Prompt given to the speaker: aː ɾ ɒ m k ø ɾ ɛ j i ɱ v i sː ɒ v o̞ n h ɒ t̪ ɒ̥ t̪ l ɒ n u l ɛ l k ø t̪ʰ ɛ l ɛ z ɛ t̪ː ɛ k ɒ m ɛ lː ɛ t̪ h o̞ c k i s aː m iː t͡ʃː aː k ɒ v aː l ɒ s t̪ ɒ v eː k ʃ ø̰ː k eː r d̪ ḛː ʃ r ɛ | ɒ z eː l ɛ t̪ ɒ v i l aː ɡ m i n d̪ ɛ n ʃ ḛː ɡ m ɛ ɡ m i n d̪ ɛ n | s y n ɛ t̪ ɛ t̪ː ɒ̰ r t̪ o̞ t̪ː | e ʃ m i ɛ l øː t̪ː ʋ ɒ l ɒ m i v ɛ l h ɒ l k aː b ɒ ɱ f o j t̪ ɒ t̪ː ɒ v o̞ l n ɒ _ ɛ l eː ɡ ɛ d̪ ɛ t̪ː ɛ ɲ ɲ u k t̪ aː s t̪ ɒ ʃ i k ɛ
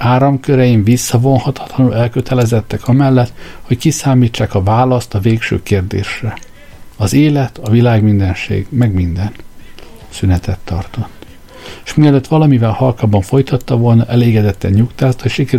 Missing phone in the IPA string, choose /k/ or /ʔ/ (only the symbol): ʔ